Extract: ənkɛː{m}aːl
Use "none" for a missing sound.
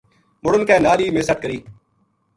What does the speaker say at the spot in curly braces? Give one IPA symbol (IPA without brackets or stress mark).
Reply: n